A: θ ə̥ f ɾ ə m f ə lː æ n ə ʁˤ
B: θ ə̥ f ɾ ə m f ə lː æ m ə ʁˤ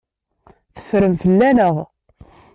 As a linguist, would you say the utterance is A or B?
A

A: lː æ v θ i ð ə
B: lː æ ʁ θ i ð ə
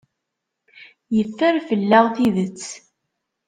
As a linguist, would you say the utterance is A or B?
B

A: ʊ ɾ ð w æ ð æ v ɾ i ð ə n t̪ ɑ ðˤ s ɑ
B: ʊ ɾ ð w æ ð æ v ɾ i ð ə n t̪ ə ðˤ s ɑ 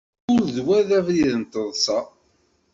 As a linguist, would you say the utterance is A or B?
B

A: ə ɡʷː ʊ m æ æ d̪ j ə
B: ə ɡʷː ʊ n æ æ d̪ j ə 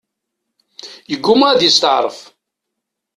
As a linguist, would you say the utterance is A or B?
A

